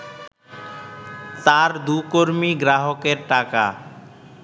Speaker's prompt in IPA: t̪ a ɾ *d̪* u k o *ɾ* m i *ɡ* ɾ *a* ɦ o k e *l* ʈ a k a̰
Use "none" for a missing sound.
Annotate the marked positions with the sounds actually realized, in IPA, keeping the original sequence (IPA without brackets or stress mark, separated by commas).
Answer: d̪, ɾ, ɡ, a, ɾ